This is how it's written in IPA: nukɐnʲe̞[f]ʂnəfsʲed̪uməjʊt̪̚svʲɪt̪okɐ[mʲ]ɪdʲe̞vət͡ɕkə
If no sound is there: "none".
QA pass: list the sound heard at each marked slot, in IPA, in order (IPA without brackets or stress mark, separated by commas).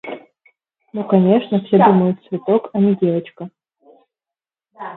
none, nʲ